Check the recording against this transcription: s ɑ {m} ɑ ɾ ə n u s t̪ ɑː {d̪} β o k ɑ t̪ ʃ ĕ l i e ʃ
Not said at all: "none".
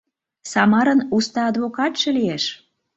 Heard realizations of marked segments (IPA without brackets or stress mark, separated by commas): m, d̪